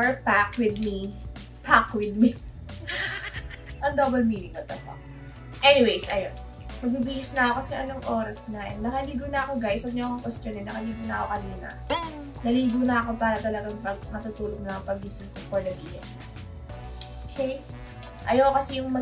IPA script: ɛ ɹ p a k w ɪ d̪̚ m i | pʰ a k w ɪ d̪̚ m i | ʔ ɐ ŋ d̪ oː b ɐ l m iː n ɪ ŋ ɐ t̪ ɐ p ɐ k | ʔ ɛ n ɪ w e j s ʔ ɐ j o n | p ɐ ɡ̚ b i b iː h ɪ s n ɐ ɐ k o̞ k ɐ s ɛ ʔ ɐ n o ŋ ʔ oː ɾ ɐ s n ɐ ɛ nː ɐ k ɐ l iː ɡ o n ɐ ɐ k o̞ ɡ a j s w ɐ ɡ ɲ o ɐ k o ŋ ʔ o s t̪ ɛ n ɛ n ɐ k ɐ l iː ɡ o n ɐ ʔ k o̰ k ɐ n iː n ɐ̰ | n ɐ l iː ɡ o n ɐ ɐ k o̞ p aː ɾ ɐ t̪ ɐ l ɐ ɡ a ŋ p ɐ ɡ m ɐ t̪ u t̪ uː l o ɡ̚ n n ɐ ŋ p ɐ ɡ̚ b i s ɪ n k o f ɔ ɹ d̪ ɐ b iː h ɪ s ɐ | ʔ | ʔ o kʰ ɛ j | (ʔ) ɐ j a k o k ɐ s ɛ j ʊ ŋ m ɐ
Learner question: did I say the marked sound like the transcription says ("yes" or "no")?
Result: yes